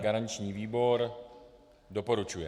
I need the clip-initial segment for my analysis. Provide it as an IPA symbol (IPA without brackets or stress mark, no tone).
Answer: ɡ